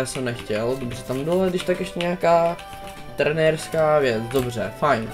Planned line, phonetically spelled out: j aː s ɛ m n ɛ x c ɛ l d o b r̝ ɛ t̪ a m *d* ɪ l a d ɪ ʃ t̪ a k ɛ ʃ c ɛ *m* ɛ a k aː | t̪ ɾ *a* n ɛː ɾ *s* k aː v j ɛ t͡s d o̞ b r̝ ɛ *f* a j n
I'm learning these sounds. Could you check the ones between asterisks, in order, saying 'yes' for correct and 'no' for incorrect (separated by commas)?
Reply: no, no, no, yes, yes